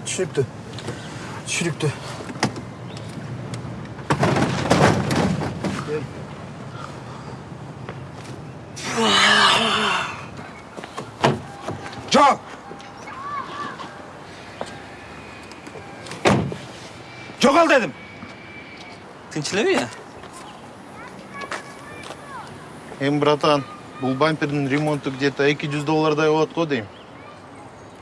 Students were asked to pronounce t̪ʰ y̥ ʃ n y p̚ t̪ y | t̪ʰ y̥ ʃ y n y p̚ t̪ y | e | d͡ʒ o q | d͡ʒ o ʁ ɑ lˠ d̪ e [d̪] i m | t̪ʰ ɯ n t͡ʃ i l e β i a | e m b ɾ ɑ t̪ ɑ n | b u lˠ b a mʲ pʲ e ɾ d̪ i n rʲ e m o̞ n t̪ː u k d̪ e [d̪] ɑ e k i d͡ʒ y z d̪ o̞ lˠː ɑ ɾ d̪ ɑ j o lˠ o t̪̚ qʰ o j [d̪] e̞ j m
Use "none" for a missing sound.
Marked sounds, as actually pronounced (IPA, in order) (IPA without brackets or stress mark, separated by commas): d̪, t̪, d̪